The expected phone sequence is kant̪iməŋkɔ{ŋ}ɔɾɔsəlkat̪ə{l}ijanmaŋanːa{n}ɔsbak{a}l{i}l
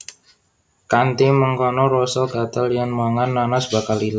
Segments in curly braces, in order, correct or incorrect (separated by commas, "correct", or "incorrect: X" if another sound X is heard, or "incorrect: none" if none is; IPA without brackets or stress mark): incorrect: n, correct, correct, correct, correct